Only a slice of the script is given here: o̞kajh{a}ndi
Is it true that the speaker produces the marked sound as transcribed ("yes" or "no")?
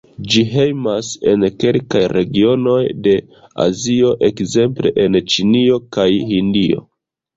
no